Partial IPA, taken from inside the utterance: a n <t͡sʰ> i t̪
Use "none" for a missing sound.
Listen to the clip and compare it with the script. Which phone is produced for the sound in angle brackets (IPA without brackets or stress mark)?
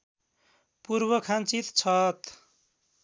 t͡s